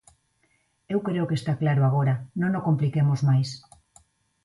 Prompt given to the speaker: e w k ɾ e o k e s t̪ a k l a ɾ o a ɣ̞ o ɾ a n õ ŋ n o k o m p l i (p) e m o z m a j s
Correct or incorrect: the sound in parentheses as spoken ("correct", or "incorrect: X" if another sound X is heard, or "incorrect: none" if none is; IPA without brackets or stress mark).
incorrect: k